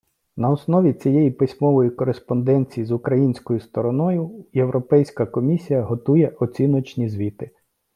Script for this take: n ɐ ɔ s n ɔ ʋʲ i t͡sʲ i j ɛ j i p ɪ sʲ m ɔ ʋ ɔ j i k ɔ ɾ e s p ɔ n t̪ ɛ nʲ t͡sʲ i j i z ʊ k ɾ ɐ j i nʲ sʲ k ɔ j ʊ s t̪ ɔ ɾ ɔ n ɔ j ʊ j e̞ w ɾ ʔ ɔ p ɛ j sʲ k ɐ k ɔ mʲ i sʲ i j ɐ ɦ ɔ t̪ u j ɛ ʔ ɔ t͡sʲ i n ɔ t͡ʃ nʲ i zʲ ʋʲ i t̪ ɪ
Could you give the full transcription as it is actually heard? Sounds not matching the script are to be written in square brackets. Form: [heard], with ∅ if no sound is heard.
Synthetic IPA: n ɐ ɔ s n ɔ ʋʲ i t͡sʲ i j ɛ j i p ɪ sʲ m ɔ ʋ ɔ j i k ɔ ɾ e s p ɔ n [d̪] ɛ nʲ t͡sʲ i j i z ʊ k ɾ ɐ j i nʲ sʲ k ɔ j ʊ s t̪ ɔ ɾ ɔ n ɔ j ʊ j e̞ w ɾ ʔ ɔ p ɛ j sʲ k ɐ k ɔ mʲ i sʲ i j ɐ ɦ ɔ t̪ u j ɛ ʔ ɔ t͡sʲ i n ɔ t͡ʃ nʲ i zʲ ʋʲ i t̪ ɪ

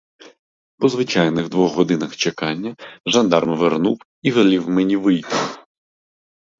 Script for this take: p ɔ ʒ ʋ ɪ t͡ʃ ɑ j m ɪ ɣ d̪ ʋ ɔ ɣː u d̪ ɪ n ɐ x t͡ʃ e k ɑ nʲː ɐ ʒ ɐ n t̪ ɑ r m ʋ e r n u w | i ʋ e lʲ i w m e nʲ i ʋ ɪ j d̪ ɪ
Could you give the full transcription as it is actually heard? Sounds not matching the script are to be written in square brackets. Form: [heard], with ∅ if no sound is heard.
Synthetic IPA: p ɔ [z] ʋ ɪ t͡ʃ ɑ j [n] ɪ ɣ d̪ ʋ ɔ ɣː [ɔ] d̪ ɪ n ɐ x t͡ʃ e k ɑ nʲː ɐ ʒ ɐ n [d̪] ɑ r m ʋ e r n u w | i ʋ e lʲ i w m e nʲ i ʋ ɪ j [t̪] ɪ

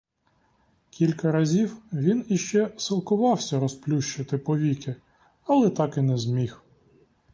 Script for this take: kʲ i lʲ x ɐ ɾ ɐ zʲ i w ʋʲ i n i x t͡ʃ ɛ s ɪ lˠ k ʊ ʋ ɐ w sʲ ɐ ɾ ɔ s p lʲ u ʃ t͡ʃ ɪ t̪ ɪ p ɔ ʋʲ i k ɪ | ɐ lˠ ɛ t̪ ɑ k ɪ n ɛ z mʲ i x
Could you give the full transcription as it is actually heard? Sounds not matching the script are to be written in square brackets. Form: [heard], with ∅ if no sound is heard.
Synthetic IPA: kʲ i lʲ [k] ɐ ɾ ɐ zʲ i w ʋʲ i n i [ʃ] t͡ʃ ɛ s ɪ lˠ k ʊ ʋ [ɑ] w sʲ ɐ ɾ ɔ s p lʲ u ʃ t͡ʃ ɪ t̪ ɪ p ɔ ʋʲ i k ɪ | ɐ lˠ ɛ t̪ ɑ k ɪ n ɛ z mʲ i x

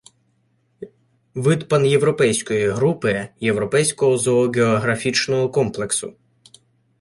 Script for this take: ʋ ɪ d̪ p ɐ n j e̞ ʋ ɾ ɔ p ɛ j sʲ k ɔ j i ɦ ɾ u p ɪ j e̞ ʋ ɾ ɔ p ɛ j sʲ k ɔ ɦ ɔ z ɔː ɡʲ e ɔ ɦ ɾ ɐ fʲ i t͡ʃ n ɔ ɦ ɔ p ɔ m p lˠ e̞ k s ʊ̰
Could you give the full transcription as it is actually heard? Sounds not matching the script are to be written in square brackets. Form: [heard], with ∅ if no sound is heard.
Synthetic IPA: ʋ ɪ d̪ p ɐ n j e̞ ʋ ɾ ɔ p ɛ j sʲ k ɔ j i ɦ ɾ u p ɪ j e̞ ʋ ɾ ɔ p ɛ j sʲ k ɔ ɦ ɔ z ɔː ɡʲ e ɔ ɦ ɾ ɐ fʲ i t͡ʃ n ɔ ɦ ɔ [k] ɔ m p lˠ e̞ k s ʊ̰

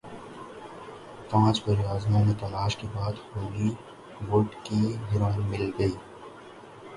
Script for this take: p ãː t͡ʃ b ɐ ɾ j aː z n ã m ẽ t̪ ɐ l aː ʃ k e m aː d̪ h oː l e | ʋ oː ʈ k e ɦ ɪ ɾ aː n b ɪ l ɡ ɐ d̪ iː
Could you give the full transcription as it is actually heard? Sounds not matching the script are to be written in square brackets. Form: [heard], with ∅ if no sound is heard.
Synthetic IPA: p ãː t͡ʃ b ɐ ɾ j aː z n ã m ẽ t̪ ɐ l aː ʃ k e [b] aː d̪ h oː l [i] | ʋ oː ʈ k [i] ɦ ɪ ɾ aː n [m] ɪ l ɡ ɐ [∅] iː

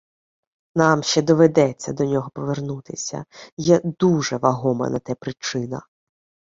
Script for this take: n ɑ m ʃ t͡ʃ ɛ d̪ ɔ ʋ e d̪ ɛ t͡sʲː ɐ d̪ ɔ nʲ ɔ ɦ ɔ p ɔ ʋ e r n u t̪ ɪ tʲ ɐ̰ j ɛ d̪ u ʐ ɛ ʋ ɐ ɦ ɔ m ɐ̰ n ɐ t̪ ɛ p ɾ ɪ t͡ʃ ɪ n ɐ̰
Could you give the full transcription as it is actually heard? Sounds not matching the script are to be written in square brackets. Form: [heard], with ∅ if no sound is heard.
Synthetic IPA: n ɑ m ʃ t͡ʃ ɛ d̪ ɔ ʋ e d̪ ɛ t͡sʲː ɐ d̪ ɔ nʲ ɔ ɦ ɔ p ɔ ʋ e r n u t̪ ɪ [sʲ] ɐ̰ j ɛ d̪ u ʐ ɛ ʋ ɐ ɦ ɔ m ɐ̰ n ɐ t̪ ɛ p ɾ ɪ t͡ʃ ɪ n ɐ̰

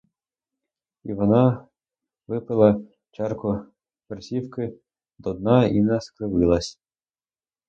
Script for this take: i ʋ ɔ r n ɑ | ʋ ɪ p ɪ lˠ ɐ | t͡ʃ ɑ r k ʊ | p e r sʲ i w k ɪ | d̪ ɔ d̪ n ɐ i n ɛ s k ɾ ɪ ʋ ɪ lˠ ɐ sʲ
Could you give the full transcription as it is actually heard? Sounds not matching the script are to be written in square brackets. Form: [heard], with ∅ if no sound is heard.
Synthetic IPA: i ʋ ɔ [∅] n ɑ | ʋ ɪ p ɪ lˠ ɐ | t͡ʃ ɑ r k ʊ | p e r sʲ i w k ɪ | d̪ ɔ d̪ n [ɑ] i n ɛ s k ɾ ɪ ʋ ɪ lˠ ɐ sʲ

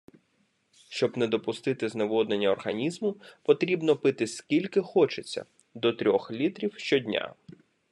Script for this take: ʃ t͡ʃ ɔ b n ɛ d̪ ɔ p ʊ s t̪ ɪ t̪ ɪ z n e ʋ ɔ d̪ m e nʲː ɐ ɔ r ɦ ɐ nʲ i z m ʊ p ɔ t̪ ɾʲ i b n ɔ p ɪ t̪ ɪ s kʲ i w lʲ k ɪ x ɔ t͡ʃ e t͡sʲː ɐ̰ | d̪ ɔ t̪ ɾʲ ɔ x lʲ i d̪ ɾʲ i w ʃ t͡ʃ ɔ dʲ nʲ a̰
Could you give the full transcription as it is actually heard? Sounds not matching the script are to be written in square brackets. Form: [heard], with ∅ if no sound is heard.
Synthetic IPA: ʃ t͡ʃ ɔ b n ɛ d̪ ɔ p ʊ s t̪ ɪ t̪ ɪ z n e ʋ ɔ d̪ [n] e nʲː ɐ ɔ r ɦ ɐ nʲ i z m ʊ p ɔ t̪ ɾʲ i b n ɔ p ɪ t̪ ɪ s kʲ i [∅] lʲ k ɪ x ɔ t͡ʃ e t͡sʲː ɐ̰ | d̪ ɔ t̪ ɾʲ ɔ x lʲ i [t̪] ɾʲ i w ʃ t͡ʃ ɔ dʲ nʲ a̰

